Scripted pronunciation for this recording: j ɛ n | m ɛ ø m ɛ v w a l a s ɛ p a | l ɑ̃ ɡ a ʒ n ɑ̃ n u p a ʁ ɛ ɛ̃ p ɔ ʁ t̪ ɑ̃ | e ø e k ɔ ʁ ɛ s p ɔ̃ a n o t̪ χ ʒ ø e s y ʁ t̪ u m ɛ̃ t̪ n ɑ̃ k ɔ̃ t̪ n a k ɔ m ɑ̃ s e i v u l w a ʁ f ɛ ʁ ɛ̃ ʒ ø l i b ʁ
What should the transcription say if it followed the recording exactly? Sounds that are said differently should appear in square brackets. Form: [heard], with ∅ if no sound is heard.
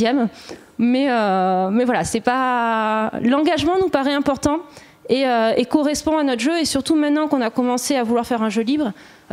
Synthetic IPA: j ɛ [m] | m ɛ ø m ɛ v w a l a s ɛ p a | l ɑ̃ ɡ a ʒ [m] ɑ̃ n u p a ʁ ɛ ɛ̃ p ɔ ʁ t̪ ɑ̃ | e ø e k ɔ ʁ ɛ s p ɔ̃ a n [ɔ] t̪ χ ʒ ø e s y ʁ t̪ u m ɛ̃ t̪ n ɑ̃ k ɔ̃ [∅] n a k ɔ m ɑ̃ s e [a] v u l w a ʁ f ɛ ʁ ɛ̃ ʒ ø l i b ʁ